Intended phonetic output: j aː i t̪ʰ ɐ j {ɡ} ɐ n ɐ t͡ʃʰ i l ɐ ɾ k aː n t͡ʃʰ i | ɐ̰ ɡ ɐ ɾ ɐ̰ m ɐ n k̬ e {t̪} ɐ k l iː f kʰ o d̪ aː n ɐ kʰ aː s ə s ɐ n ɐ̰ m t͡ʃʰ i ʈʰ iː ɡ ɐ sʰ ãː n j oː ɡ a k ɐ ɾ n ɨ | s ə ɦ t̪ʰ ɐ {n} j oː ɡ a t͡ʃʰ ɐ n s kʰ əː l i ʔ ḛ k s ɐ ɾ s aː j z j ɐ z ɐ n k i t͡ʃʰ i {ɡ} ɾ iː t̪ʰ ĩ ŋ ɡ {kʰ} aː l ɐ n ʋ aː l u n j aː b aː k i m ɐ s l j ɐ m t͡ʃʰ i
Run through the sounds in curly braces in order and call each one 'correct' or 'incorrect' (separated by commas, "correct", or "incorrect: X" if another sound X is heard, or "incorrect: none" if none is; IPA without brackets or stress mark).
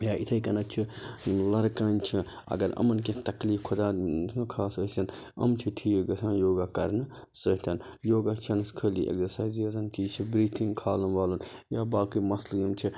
incorrect: k, correct, correct, incorrect: b, correct